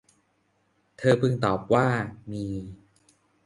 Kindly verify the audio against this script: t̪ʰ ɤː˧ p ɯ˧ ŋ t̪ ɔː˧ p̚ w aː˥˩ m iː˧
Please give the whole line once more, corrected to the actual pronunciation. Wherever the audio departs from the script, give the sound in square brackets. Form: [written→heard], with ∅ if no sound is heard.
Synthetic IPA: t̪ʰ ɤː˧ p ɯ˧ ŋ t̪ [ɔː˧→ɔː˨˩] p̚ w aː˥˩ m iː˧